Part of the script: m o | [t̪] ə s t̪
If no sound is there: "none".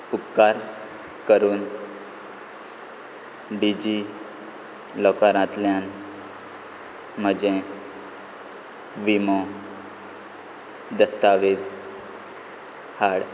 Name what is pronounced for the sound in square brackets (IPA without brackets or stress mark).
d̪